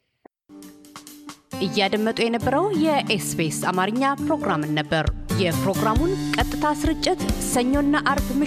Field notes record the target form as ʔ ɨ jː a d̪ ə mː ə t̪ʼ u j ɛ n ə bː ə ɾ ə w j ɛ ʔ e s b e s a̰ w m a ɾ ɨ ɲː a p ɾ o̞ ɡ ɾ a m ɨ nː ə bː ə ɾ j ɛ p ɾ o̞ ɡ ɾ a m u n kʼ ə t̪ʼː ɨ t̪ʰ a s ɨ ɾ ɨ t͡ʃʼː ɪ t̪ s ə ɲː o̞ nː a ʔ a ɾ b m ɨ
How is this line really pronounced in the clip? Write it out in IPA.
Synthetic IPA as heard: ʔ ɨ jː a d̪ ə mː ə t̪ʼ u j ɛ n ə bː ə ɾ ə w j ɛ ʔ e s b e s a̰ m a ɾ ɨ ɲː a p ɾ o̞ ɡ ɾ a m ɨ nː ə bː ə ɾ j ɛ p ɾ o̞ ɡ ɾ a m u n kʼ ə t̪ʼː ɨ t̪ʰ a s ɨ ɾ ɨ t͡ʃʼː ɪ t̪ s ə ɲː o̞ nː a ʔ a ɾ b m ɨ